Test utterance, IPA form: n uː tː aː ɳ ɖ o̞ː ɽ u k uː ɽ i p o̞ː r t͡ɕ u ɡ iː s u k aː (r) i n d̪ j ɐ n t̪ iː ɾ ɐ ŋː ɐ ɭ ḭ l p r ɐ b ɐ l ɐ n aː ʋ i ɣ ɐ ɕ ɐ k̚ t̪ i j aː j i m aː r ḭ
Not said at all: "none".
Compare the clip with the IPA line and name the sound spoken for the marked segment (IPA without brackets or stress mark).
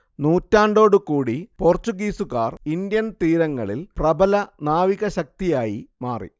r